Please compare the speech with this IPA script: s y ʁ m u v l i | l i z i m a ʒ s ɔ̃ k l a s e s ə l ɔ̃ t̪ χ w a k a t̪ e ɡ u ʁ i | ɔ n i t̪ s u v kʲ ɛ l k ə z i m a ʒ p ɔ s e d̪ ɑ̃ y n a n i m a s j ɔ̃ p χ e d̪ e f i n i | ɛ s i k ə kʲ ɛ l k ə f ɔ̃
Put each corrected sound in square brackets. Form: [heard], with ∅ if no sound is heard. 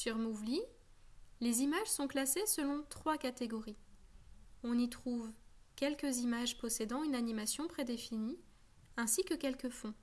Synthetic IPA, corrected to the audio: s y ʁ m u v l i | l [e] z i m a ʒ s ɔ̃ k l a s e s ə l ɔ̃ t̪ χ w a k a t̪ e ɡ [ɔ] ʁ i | [ɔ̃] n i t̪ [χ] u v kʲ ɛ l k ə z i m a ʒ p ɔ s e d̪ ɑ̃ y n a n i m a s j ɔ̃ p χ e d̪ e f i n i | [ɛ̃] s i k ə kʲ ɛ l k ə f ɔ̃